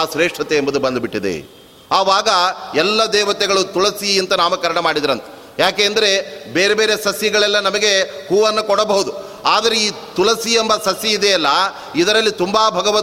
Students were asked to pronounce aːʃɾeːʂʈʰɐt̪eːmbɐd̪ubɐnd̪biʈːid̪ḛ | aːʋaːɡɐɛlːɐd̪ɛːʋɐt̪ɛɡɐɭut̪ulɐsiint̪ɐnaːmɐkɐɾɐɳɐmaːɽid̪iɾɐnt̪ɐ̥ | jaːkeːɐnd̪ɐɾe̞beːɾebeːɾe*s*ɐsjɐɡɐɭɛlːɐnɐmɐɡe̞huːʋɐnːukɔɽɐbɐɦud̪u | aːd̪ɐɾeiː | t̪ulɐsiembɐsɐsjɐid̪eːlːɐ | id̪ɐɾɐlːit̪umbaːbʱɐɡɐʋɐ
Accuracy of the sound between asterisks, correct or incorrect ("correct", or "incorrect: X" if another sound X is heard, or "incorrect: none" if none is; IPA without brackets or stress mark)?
correct